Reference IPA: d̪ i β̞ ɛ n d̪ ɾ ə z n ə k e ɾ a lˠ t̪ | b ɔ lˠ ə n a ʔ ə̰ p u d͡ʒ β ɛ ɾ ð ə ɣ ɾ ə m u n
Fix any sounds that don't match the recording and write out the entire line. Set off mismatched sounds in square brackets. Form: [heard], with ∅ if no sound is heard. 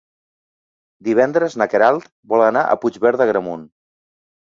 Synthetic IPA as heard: d̪ i β̞ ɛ n d̪ ɾ ə z n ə k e ɾ a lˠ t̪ | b ɔ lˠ ə n a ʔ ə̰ p u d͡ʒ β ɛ ɾ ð ə ɣ ɾ ə m u n

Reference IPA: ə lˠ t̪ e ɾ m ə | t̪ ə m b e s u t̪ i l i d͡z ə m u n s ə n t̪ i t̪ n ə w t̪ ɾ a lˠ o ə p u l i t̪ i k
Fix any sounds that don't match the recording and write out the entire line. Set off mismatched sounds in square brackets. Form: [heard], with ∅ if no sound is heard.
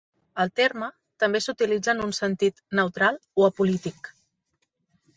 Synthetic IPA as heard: ə lˠ t̪ e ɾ m ə | t̪ ə m b e s u t̪ i l i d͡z ə [n] u n s ə n t̪ i t̪ n ə w t̪ ɾ a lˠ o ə p u l i t̪ i k

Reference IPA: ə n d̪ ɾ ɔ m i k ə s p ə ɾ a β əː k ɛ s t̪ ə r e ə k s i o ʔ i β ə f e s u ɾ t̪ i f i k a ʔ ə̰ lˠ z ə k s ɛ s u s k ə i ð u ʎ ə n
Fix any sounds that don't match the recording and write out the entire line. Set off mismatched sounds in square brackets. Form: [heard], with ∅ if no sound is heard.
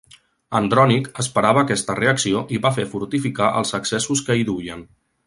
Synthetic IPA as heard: ə n d̪ ɾ ɔ [n] i k ə s p ə ɾ a β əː k ɛ s t̪ ə r e ə k s i o ʔ i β [a] f e [f] u ɾ t̪ i f i k a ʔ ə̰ lˠ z ə k s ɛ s u s k ə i ð u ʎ ə n

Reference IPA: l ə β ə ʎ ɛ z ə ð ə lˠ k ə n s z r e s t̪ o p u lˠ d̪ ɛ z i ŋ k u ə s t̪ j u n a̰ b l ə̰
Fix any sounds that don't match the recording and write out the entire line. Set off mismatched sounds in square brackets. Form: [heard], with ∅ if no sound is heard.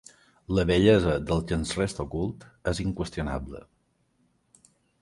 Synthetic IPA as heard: l ə β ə ʎ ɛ z ə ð ə lˠ k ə n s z r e s t̪ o [k] u lˠ [t̪] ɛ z i ŋ k [w] ə s t̪ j u n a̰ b l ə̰

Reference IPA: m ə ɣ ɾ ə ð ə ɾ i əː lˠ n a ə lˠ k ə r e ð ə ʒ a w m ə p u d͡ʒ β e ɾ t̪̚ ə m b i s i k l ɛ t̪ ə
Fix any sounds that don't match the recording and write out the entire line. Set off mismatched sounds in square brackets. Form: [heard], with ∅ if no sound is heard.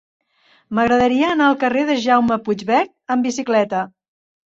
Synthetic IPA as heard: m ə ɣ ɾ ə ð ə ɾ i əː [∅] n a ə lˠ k ə r e ð ə ʒ a w m ə p u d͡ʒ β [ɛ] ɾ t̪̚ ə m b i s i k l ɛ t̪ ə

